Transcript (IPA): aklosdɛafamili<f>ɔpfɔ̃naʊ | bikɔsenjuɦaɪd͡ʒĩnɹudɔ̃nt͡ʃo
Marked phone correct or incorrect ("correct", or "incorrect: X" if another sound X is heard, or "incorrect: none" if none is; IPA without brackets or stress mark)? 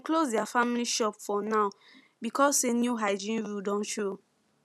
incorrect: ʃ